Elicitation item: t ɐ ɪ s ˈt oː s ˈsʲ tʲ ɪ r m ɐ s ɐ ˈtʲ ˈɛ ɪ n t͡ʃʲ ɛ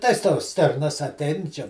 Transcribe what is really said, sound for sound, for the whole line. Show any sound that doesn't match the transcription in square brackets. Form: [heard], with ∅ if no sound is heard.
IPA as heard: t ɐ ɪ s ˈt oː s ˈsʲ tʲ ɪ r [n] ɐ s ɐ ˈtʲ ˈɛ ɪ n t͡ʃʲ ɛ